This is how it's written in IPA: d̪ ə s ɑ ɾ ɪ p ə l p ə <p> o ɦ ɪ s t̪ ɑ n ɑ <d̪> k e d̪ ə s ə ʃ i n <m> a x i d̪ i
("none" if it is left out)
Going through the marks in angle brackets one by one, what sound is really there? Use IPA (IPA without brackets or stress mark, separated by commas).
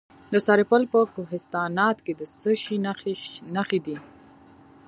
k, t̪, n